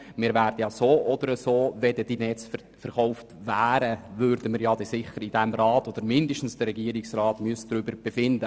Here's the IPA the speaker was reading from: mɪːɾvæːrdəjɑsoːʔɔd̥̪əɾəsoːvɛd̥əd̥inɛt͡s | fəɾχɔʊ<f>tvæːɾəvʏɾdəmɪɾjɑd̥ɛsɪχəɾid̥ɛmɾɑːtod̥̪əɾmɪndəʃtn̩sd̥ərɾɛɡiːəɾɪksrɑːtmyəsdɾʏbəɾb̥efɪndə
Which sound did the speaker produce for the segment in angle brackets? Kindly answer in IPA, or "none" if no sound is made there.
f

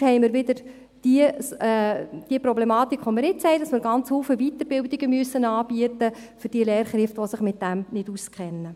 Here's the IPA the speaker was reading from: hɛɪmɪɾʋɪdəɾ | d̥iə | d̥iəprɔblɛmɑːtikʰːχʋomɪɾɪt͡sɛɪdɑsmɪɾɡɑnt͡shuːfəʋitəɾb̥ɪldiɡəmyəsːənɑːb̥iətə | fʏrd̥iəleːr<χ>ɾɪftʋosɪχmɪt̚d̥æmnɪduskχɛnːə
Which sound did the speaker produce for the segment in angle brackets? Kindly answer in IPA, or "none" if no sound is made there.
χ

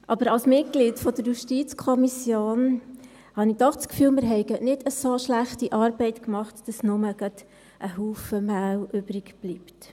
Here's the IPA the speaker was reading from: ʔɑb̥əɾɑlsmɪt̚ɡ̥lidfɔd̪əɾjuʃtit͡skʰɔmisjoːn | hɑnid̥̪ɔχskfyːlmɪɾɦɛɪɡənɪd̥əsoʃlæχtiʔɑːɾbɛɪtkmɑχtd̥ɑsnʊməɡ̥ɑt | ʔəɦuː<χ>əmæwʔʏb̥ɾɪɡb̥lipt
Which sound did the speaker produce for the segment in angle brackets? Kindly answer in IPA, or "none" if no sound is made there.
f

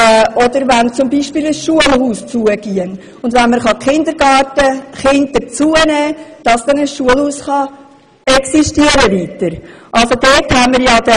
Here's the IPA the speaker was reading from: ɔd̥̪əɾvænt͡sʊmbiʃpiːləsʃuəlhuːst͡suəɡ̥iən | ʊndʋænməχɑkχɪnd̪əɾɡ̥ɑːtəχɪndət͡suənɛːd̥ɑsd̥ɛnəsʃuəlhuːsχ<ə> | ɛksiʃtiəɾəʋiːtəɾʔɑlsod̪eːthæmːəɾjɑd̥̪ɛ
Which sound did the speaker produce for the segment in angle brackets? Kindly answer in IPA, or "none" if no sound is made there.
ɑ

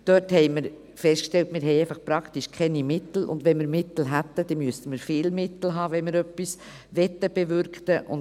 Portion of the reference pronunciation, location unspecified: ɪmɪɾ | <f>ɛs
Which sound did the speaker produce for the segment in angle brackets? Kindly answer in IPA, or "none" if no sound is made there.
f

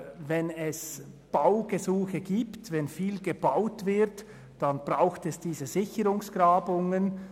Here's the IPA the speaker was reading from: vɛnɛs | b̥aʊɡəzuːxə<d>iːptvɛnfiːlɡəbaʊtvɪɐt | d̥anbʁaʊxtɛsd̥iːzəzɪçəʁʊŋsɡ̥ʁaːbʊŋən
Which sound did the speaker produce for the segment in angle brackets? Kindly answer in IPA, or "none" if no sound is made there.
ɡ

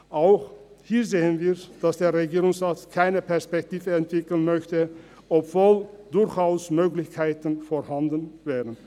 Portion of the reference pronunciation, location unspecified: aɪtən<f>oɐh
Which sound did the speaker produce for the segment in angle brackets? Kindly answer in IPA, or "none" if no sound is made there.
f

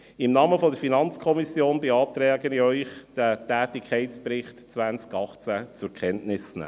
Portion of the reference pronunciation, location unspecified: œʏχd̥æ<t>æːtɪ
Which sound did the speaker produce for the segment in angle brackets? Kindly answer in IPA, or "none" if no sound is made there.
t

